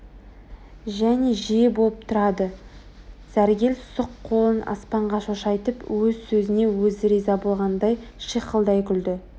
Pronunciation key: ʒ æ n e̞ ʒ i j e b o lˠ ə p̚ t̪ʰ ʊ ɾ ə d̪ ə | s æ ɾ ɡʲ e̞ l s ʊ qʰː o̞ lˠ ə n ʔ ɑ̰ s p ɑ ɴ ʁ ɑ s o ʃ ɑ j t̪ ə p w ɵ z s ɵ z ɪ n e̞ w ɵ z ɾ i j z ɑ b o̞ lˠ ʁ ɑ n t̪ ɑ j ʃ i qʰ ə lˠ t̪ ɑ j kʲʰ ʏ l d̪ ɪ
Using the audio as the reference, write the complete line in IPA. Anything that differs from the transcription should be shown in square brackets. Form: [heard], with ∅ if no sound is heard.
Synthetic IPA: ʒ æ n e̞ ʒ i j e b o lˠ ə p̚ t̪ʰ ʊ ɾ [ɑ] d̪ ə | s æ ɾ ɡʲ e̞ l s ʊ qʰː o̞ lˠ ə n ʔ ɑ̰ s p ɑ ɴ ʁ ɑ [ʃ] o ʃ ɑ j t̪ ə p w ɵ z s ɵ z ɪ n e̞ w ɵ z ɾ i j z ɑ b o̞ lˠ ʁ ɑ n [d̪] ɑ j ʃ i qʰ ə lˠ [d̪] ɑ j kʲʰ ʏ l d̪ ɪ